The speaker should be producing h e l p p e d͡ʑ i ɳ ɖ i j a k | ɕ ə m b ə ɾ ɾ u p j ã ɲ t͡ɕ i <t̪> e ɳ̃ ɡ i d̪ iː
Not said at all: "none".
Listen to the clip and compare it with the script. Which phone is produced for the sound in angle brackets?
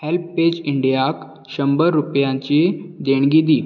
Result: d̪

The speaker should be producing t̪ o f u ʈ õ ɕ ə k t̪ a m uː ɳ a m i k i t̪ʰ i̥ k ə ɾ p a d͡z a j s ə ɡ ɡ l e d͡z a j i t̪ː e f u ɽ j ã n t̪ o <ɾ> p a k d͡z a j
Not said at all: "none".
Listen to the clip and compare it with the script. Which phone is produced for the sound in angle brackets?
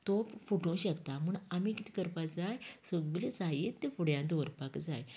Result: ɾ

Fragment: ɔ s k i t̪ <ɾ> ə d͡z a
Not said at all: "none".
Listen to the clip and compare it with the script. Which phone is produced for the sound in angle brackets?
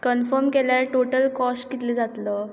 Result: l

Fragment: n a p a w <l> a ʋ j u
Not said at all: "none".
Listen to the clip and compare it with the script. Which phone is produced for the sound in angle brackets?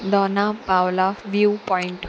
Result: l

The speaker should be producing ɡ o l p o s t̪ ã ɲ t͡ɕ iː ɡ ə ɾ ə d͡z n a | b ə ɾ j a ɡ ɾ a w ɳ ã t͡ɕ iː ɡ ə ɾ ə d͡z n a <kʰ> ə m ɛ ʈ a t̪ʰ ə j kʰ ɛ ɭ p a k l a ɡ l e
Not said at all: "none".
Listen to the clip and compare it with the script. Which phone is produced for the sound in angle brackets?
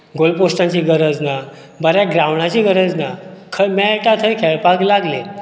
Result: kʰ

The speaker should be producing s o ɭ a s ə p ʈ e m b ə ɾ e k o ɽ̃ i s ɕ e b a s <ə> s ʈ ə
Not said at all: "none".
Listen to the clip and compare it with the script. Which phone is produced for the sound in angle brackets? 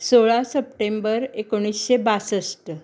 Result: ə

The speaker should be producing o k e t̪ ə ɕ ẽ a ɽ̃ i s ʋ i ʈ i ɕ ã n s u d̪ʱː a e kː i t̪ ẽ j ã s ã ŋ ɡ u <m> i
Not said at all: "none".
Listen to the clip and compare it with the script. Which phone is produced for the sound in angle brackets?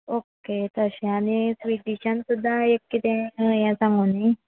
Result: n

